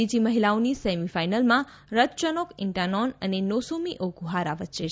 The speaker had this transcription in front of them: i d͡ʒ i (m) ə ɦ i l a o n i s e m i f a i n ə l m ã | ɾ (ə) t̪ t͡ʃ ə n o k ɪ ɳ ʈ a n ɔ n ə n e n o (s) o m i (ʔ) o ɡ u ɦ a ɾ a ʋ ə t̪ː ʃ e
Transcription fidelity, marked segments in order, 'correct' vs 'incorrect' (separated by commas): correct, correct, correct, correct